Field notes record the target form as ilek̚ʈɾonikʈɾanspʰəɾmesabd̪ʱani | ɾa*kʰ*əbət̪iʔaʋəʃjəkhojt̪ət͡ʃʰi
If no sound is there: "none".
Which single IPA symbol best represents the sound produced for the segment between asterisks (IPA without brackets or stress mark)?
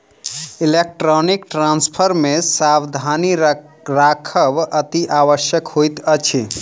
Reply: kʰ